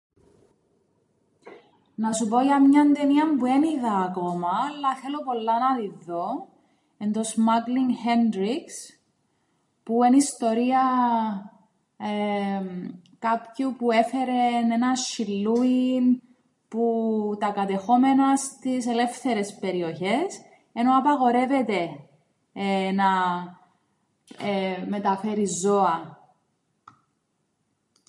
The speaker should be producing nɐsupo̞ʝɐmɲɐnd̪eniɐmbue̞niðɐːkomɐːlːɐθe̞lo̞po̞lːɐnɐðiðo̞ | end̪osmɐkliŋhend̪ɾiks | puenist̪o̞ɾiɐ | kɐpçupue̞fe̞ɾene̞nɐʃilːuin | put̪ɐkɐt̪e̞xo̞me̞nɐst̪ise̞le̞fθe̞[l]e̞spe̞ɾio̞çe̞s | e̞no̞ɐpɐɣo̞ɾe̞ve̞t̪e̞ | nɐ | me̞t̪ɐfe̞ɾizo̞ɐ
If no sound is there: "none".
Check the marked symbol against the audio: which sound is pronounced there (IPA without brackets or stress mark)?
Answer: ɾ